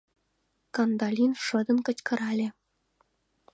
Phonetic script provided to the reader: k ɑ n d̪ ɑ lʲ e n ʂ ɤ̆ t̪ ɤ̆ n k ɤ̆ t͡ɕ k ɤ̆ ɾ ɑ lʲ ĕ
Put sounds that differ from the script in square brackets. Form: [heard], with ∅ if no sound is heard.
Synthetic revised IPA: k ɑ n d̪ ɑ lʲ [i] n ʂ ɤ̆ [d̪] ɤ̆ n k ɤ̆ t͡ɕ k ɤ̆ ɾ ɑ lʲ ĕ